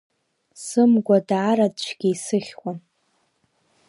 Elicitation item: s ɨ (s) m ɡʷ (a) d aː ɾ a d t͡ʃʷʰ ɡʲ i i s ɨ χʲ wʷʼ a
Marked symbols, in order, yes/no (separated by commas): no, yes